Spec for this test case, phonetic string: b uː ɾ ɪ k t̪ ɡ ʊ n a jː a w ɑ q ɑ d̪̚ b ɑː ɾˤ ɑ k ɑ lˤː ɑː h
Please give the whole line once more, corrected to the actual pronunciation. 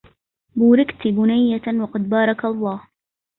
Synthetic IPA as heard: b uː ɾ ɪ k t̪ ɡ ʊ n a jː a w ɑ q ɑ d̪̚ b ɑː ɾˤ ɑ k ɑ lˤː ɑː h